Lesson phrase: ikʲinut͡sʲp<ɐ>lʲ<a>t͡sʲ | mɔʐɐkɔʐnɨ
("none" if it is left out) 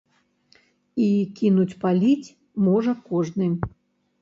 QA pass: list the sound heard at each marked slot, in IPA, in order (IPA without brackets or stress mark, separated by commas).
a, i